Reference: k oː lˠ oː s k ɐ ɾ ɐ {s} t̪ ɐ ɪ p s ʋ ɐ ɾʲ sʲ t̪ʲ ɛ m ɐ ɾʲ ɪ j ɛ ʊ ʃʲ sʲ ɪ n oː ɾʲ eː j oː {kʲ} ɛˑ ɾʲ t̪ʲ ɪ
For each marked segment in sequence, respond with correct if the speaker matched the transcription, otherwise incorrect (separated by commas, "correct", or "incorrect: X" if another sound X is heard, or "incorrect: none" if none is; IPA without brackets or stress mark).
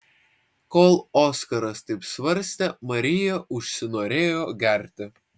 correct, incorrect: ɡʲ